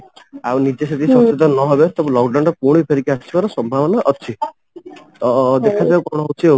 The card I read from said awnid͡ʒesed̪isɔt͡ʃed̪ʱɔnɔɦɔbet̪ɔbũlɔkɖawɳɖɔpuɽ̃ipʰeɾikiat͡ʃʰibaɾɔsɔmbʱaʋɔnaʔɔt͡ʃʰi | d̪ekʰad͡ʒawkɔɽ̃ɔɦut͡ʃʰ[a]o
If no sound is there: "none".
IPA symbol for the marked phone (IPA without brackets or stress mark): i